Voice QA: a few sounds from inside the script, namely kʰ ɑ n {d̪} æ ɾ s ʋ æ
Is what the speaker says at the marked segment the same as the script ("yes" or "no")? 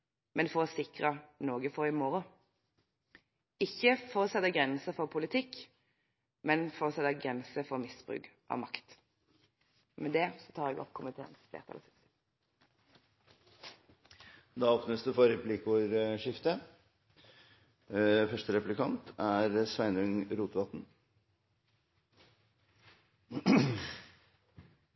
no